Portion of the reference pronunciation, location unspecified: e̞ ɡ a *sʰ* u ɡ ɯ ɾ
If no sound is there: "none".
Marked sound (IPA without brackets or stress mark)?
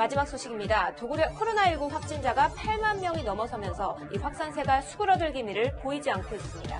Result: sʰ